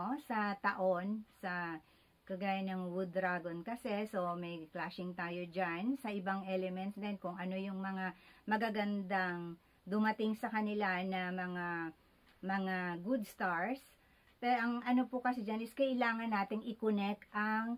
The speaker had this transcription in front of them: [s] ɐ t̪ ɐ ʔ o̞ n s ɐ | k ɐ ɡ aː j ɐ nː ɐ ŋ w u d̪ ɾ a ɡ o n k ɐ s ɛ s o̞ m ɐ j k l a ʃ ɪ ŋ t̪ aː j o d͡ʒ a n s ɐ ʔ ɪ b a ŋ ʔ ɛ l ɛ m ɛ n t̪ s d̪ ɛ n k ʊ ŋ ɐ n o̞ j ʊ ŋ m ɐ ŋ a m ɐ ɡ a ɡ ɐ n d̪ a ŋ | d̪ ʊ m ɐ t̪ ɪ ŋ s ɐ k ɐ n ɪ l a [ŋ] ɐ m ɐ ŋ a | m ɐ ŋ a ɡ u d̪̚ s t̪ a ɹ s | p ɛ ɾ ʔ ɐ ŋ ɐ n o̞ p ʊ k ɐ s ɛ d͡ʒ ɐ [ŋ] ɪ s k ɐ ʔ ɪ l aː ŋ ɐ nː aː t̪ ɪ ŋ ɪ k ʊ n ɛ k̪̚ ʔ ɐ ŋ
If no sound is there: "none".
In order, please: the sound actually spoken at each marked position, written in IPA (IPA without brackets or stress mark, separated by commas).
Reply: s, n, n